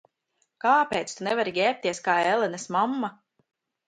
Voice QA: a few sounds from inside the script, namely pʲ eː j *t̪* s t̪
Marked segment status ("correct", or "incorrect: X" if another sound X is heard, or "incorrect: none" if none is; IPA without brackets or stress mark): correct